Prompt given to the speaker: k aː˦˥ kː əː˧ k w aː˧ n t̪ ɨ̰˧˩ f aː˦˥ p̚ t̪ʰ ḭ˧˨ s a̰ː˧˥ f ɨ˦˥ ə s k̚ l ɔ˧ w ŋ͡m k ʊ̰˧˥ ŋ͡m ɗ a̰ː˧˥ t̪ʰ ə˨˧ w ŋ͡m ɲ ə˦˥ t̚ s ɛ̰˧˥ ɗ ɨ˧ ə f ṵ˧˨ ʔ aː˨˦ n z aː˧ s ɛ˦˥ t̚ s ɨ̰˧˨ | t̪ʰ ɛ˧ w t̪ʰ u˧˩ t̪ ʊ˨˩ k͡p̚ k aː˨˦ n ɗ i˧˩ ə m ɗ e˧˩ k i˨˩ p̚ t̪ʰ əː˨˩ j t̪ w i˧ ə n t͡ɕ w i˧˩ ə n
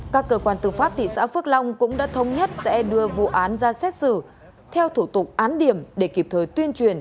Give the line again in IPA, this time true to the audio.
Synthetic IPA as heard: k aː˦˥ kː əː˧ k w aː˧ n t̪ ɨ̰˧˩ f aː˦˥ p̚ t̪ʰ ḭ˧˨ s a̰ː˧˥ f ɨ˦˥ ə k̚ l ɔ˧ w ŋ͡m k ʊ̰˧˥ ŋ͡m ɗ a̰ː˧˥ t̪ʰ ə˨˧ w ŋ͡m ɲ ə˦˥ t̚ s ɛ̰˧˥ ɗ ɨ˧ ə v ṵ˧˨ ʔ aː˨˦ n z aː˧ s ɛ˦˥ t̚ s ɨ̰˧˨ | t̪ʰ ɛ˧ w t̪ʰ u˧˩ t̪ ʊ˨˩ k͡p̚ ʔ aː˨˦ n ɗ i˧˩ ə m ɗ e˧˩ k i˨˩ p̚ t̪ʰ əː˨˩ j t̪ w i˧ ə n t͡ɕ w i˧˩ ə n

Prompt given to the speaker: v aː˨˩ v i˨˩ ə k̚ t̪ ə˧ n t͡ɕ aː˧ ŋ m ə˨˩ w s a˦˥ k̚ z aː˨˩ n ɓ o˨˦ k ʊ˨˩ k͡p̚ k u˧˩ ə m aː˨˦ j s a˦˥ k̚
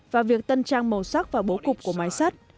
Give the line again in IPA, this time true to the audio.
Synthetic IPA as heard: v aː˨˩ v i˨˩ ə k̚ t̪ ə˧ n t͡ɕ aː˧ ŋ m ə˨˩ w s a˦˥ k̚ v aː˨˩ ɓ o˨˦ k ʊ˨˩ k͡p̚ k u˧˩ ə m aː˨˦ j s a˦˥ t̚

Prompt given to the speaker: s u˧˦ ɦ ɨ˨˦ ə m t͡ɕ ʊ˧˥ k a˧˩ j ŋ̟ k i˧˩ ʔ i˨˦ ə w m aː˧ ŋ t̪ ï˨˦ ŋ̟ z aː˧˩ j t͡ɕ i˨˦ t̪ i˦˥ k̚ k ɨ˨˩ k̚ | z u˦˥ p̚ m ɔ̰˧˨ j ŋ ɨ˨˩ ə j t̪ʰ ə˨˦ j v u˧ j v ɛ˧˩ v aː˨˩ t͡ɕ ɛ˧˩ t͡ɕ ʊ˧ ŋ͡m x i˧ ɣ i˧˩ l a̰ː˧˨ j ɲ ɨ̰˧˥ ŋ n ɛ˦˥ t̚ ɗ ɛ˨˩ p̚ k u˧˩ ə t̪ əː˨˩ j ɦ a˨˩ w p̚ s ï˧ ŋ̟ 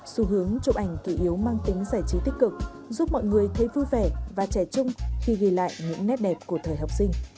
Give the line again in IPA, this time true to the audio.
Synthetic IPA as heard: s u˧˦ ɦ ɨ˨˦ ə ŋ t͡ɕ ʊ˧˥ ʔ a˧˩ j ŋ̟ k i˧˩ ʔ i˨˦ ə w m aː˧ ŋ t̪ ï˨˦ ŋ̟ z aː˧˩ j t͡ɕ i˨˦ t̪ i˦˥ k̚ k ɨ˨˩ k̚ | z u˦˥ p̚ m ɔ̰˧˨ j ŋ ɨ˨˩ ə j t̪ʰ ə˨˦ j v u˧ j v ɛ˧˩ v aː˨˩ t͡ɕ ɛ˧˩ t͡ɕ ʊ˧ ŋ͡m x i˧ ɣ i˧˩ l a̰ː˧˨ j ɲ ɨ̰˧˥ ŋ n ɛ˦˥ t̚ ɗ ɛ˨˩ p̚ k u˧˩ ə t̪ʰ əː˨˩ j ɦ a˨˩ w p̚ s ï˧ ŋ̟

